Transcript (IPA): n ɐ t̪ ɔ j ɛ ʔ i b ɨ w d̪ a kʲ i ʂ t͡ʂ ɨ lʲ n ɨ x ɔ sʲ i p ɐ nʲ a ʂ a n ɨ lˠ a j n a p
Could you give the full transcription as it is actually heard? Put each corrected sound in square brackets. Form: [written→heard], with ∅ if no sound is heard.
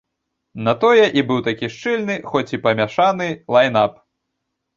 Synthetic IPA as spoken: n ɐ t̪ ɔ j ɛ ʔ i b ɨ w [d̪→t̪] a kʲ i ʂ t͡ʂ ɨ lʲ n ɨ x ɔ [sʲ→t͡sʲ] i p ɐ [nʲ→mʲ] a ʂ a n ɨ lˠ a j n a p